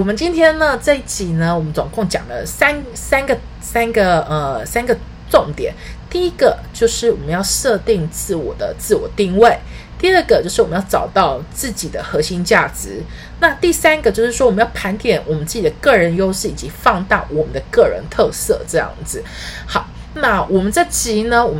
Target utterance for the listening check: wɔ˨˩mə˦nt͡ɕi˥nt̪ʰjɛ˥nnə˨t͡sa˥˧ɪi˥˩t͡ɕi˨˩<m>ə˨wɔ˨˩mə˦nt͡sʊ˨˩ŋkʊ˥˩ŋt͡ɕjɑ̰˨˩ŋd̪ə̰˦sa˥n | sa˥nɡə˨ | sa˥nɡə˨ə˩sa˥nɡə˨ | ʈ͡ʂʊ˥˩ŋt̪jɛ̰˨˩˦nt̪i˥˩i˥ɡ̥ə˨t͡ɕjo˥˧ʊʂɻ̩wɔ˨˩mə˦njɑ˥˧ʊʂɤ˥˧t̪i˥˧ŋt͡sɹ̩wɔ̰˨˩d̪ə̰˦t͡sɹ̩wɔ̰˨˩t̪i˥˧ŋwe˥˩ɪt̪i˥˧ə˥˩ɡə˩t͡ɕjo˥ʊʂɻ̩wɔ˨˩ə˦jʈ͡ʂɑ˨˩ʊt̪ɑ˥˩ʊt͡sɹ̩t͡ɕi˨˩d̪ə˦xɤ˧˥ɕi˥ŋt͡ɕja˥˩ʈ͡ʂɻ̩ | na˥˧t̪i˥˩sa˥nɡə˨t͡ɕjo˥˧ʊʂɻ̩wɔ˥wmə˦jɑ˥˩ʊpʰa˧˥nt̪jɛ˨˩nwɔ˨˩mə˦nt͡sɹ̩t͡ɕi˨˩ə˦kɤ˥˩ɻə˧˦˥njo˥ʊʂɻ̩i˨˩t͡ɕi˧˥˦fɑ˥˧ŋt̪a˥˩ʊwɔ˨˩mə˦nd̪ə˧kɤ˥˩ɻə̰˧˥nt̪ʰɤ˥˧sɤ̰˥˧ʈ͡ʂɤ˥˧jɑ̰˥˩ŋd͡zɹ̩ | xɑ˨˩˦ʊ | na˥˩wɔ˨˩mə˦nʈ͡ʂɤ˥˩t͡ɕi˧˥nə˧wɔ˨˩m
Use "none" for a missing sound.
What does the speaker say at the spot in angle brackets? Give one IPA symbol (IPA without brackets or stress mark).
n